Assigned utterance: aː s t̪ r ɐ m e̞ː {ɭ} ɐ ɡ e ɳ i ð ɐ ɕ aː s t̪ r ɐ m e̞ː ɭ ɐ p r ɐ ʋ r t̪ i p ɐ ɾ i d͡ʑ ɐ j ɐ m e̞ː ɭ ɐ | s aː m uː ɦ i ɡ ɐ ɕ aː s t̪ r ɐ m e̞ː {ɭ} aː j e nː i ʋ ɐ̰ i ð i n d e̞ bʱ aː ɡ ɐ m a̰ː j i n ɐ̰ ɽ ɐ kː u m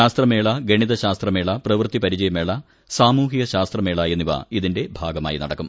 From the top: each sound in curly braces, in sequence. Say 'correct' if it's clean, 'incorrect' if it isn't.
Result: correct, correct

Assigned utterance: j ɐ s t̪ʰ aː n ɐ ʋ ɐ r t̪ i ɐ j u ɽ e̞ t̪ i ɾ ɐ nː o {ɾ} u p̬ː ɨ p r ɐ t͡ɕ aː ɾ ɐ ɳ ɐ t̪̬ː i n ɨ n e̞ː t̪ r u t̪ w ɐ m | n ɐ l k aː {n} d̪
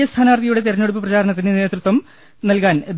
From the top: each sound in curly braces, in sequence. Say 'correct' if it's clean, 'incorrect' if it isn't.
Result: incorrect, correct

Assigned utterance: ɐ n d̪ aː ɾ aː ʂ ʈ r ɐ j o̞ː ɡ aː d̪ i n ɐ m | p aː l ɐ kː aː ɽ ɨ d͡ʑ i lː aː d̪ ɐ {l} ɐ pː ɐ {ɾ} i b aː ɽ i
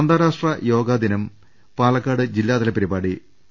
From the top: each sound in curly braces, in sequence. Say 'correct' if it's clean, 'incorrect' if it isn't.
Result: correct, correct

